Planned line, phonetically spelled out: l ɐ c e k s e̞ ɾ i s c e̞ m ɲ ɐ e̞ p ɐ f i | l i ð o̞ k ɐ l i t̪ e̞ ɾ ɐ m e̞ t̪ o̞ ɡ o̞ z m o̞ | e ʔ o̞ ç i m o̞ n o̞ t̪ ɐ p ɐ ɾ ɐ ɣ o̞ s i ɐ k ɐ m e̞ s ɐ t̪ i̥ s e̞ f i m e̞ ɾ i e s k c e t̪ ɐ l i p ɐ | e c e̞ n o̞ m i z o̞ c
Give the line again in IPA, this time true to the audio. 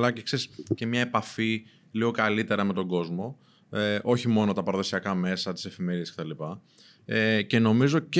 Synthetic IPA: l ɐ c e k s e̞ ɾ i s c e̞ m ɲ ɐ e̞ p ɐ f i | l i ɣ o̞ k ɐ l i t̪ e̞ ɾ ɐ m e̞ t̪ o̞ ɡ o̞ z m o̞ | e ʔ o̞ ç i m o̞ n o̞ t̪ ɐ p ɐ ɾ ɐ ð o̞ s i ɐ k ɐ m e̞ s ɐ t̪ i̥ s e̞ f i m e̞ ɾ i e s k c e t̪ ɐ l i p ɐ | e c e̞ n o̞ m i z o̞ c